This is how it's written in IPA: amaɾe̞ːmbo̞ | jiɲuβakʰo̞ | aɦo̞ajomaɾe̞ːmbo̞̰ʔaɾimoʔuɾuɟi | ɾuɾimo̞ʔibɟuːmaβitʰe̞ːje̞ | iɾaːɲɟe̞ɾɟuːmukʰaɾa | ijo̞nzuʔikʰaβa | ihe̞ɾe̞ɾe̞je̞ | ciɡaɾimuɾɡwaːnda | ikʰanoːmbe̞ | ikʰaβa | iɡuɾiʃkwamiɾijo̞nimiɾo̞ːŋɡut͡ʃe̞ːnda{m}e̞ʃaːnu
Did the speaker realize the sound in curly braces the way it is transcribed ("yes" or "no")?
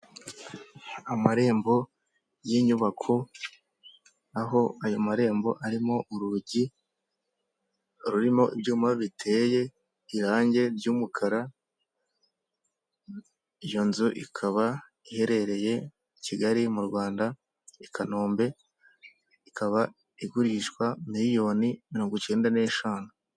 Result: no